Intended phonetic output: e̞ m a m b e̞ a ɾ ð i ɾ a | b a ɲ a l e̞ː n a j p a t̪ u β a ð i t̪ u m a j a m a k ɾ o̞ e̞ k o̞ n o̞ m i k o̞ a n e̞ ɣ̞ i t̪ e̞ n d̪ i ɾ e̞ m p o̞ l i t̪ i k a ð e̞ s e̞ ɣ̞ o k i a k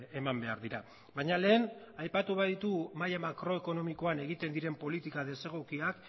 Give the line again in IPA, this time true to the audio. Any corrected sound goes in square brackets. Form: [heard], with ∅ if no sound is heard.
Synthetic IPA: e̞ m a m b e̞ a ɾ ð i ɾ a | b a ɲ a l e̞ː n a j p a t̪ u β a ð i t̪ u m a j a m a k ɾ o̞ e̞ k o̞ n o̞ m i k o̞ a n e̞ ɣ̞ i t̪ e̞ n d̪ i ɾ e̞ m p o̞ l i t̪ i k a ð e̞ s e̞ ɣ̞ o k i a k